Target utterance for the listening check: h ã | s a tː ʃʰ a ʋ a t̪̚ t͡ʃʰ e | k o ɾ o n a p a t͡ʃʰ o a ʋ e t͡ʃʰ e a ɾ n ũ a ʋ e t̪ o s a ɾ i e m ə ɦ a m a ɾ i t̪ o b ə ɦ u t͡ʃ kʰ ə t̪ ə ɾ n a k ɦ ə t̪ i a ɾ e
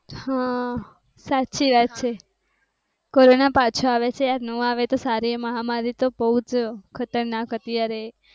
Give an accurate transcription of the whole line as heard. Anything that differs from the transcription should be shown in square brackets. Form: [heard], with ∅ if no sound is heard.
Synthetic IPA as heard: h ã | s a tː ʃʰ [i] ʋ a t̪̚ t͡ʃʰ e | k o ɾ o n a p a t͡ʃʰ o a ʋ e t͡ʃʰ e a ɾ n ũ a ʋ e t̪ o s a ɾ i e m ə ɦ a m a ɾ i t̪ o b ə ɦ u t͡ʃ kʰ ə t̪ ə ɾ n a k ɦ ə t̪ i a ɾ e